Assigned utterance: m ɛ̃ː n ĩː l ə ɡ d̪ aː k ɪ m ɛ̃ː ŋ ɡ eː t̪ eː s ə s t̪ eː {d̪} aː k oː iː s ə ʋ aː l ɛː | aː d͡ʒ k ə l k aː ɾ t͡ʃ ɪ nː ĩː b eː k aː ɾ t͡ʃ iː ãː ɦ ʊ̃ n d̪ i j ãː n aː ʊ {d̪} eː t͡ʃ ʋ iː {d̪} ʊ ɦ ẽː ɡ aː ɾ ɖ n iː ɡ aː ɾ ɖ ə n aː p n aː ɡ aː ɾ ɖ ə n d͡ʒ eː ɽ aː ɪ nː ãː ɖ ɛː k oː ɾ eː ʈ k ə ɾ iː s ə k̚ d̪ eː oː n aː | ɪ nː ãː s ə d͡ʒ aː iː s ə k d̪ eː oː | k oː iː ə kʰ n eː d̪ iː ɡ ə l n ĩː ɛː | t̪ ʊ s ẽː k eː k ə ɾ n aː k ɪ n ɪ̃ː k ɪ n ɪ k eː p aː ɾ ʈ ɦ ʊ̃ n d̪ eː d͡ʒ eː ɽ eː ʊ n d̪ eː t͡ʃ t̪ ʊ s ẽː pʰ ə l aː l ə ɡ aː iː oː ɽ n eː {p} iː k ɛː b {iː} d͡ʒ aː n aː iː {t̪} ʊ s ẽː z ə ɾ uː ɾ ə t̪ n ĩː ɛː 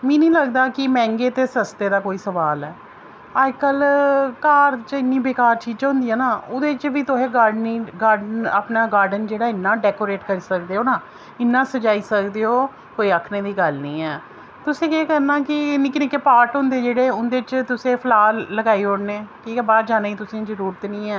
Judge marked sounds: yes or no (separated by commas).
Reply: yes, yes, no, no, no, yes